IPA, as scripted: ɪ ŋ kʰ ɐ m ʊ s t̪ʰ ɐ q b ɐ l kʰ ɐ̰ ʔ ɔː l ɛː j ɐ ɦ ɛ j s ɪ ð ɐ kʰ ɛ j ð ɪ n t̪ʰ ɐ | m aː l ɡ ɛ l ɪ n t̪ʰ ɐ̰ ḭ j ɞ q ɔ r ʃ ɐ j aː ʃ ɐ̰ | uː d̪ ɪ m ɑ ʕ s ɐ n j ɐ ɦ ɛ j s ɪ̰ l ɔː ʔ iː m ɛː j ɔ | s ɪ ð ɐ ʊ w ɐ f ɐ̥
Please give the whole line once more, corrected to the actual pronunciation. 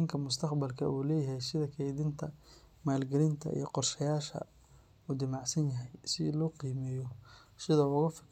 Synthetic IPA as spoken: ɪ ŋ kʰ ɐ m ʊ s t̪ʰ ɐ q b ɐ l kʰ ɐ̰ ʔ uː l ɛː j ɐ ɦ ɛ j s ɪ ð ɐ kʰ ɛ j ð ɪ n t̪ʰ ɐ | m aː l ɡ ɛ l ɪ n t̪ʰ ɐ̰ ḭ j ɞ q ɔ r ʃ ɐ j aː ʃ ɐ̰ | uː d̪ ɪ m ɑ ʕ s ɐ n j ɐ ɦ ɛ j s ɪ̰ l ɔː q iː m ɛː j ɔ | s ɪ ð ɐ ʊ ɣ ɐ f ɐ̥